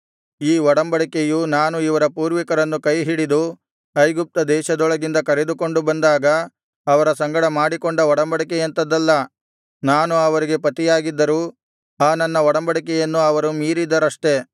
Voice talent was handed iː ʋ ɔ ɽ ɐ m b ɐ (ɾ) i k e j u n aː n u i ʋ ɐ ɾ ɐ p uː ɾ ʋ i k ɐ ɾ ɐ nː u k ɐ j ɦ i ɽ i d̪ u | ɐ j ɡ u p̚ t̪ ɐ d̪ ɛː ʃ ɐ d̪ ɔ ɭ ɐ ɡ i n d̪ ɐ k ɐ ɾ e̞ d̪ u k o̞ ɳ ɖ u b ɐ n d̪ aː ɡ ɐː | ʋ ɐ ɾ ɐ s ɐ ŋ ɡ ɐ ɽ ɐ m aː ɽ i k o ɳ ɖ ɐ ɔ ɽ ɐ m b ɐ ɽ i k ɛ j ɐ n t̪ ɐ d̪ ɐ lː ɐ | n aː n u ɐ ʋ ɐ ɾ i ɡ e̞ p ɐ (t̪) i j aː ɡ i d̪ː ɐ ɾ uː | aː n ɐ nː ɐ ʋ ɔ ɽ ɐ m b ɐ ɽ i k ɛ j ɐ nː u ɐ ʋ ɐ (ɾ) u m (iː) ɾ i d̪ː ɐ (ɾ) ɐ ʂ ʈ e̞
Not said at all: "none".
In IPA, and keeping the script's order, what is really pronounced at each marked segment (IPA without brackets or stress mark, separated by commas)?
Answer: ɽ, t̪, ɾ, iː, ɾ